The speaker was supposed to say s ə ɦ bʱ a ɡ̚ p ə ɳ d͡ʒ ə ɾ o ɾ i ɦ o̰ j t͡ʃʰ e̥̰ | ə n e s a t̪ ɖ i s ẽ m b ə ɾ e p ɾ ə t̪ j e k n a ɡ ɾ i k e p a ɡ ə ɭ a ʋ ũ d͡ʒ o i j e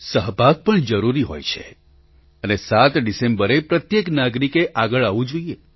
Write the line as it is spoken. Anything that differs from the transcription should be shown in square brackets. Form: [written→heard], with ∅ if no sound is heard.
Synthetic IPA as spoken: s ə ɦ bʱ a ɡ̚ p ə ɳ d͡ʒ ə ɾ [o→u] ɾ i ɦ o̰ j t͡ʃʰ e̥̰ | ə n e s a t̪ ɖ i s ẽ m b ə ɾ e p ɾ ə t̪ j e k n a ɡ ɾ i k e [p→ʔ] a ɡ ə ɭ a ʋ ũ d͡ʒ o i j e